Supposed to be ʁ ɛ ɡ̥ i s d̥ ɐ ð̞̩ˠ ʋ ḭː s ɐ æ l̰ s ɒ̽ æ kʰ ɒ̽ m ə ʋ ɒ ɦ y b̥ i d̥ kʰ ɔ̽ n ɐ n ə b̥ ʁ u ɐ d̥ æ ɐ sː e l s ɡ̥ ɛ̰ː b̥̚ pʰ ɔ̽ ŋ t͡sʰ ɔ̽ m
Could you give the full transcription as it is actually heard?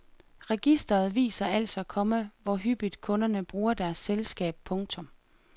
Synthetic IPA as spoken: ʁ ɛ ɡ̥ i s d̥ ɐ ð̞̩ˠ ʋ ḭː s ɐ æ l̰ s ɒ̽ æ kʰ ɒ̽ m ə ʋ ɒ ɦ y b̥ i d̥ kʰ ɔ̽ n ɐ n ə b̥ ʁ uː ɐ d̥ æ ɐ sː e l s ɡ̥ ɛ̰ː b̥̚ pʰ ɔ̽ ŋ t͡sʰ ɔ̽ m

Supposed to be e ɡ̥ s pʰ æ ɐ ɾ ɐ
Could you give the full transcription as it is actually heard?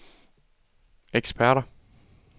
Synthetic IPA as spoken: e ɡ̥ s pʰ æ ɐ ɾ ɐ

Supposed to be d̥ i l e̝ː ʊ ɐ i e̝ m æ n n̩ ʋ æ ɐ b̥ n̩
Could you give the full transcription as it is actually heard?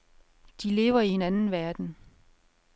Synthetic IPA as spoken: d̥ i l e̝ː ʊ ɐ i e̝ n æ n n̩ ʋ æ ɐ d̥ n̩

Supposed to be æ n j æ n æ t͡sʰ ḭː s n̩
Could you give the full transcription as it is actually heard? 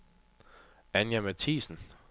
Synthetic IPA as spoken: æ n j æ m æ t͡sʰ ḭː s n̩

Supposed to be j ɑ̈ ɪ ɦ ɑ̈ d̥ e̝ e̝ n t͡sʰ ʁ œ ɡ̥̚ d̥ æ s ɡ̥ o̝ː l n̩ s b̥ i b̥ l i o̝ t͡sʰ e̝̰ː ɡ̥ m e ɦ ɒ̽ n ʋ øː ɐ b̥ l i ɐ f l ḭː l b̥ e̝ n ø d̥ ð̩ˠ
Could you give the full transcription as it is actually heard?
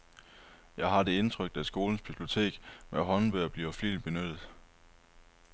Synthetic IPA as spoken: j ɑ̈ ɪ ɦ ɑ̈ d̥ e̝ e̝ n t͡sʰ ʁ œ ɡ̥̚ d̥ æ s ɡ̥ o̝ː l n̩ s b̥ i b̥ l i o̝ t͡sʰ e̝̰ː ɡ̥ m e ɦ ɒ̽ n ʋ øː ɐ b̥ l i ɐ f l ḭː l b̥ e̝ n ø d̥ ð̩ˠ

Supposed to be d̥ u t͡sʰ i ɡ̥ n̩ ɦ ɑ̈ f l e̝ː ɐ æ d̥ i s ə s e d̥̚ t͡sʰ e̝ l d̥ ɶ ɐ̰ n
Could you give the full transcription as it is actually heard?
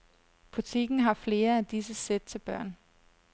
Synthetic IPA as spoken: b̥ u t͡sʰ i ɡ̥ n̩ ɦ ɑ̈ f l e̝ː ɐ æ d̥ i s ə s e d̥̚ t͡sʰ e̝ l b̥ ɶ ɐ̰ n

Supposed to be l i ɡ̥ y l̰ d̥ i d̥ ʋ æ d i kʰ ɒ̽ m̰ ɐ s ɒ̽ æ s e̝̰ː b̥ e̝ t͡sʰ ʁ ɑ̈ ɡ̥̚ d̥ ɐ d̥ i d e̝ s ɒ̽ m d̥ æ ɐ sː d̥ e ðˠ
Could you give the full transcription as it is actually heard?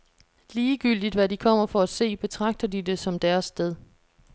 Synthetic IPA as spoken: l iː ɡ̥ y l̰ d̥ i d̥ ʋ æ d i kʰ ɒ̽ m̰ ɐ f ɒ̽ æ s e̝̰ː b̥ e̝ t͡sʰ ʁ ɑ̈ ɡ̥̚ d̥ ɐ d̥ i d e̝ s ɒ̽ m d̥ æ ɐ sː d̥ e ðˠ

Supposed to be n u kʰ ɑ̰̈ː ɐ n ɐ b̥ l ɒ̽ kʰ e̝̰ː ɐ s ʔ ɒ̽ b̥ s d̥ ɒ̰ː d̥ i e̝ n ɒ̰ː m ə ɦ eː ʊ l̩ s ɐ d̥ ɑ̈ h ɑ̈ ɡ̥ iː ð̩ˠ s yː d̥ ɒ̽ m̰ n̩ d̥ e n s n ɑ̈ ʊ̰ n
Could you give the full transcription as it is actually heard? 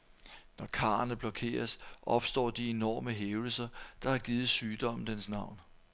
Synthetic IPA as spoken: n ɒ kʰ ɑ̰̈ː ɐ n ə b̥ l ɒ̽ kʰ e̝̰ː ɐ s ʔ ɒ̽ b̥ s d̥ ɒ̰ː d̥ i e̝ n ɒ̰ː m ə ɦ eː ʊ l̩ s ɐ d̥ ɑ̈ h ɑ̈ ɡ̥ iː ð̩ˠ s yː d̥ ɒ̽ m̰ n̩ d̥ e n s n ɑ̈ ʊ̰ n

